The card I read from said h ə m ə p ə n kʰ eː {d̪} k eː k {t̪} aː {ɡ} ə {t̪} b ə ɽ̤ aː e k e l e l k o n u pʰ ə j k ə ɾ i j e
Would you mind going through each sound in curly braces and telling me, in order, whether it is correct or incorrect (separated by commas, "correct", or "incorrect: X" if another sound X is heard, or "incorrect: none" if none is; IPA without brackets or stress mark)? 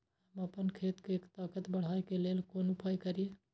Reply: incorrect: t̪, correct, incorrect: k, correct